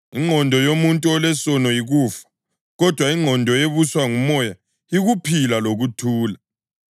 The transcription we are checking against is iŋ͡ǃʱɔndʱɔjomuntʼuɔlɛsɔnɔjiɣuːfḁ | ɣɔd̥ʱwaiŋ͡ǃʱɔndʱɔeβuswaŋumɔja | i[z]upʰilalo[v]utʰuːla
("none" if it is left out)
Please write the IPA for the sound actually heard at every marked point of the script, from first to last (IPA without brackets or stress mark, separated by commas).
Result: ɣ, ɣ